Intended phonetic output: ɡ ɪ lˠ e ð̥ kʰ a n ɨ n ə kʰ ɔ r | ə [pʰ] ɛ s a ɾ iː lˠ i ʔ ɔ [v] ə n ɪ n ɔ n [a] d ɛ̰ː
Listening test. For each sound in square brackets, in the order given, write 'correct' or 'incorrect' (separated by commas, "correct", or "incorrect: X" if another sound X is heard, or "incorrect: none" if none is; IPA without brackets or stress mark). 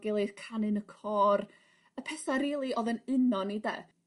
correct, incorrect: ð, incorrect: i